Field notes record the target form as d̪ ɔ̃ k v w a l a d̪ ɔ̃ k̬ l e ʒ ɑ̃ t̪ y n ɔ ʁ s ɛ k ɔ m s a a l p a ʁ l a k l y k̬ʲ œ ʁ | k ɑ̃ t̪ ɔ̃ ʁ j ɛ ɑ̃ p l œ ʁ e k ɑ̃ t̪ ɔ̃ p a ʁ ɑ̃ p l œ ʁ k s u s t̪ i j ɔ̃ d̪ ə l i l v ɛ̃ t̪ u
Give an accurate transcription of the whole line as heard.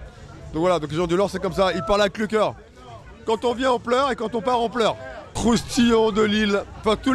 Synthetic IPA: d̪ ɔ̃ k v w a l a d̪ ɔ̃ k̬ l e ʒ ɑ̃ d̪ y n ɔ ʁ s ɛ k ɔ m s a i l p a ʁ l a k l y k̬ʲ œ ʁ | k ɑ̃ t̪ ɔ̃ v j ɛ̃ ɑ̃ p l œ ʁ e k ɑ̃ t̪ ɔ̃ p a ʁ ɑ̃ p l œ ʁ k χ u s t̪ i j ɔ̃ d̪ ə l i l f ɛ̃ t̪ u